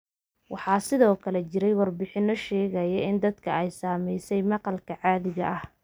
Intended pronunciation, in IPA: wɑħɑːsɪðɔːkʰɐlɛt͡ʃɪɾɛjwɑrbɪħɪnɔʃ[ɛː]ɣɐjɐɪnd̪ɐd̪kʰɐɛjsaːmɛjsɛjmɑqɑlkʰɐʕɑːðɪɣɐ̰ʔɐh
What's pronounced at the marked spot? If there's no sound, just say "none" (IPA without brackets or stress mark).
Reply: ɛː